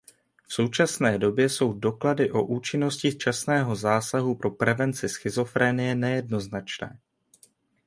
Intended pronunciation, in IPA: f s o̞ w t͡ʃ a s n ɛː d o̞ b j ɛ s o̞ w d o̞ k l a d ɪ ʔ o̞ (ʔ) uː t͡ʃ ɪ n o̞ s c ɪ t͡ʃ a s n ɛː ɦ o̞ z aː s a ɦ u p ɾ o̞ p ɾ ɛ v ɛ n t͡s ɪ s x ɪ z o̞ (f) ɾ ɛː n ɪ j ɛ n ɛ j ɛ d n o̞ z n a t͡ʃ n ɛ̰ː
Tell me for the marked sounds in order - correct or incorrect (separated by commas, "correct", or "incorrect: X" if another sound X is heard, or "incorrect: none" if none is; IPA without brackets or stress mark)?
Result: correct, correct